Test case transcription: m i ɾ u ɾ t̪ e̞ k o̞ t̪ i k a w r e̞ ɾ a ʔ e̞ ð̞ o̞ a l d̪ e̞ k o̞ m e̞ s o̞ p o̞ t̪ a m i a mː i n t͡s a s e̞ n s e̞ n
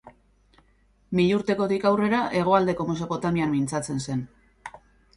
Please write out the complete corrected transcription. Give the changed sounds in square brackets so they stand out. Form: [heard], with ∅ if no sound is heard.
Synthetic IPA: m i [ʎ] u ɾ t̪ e̞ k o̞ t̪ i k a w r e̞ ɾ a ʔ e̞ [ɣ̞] o̞ a l d̪ e̞ k o̞ m e̞ s o̞ p o̞ t̪ a m i a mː i n t͡s a [t͡s] e̞ n s e̞ n